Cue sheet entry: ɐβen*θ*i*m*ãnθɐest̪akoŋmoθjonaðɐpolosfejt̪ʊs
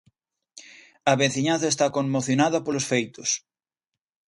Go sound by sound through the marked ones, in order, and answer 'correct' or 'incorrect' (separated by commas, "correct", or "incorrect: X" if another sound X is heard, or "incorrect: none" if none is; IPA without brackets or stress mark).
correct, incorrect: ɲ